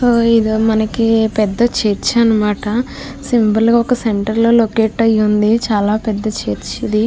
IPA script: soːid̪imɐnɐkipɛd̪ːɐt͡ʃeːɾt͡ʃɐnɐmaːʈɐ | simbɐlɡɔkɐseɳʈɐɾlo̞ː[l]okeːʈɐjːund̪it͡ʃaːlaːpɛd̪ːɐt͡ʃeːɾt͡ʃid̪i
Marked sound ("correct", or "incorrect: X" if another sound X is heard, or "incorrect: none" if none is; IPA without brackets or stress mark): correct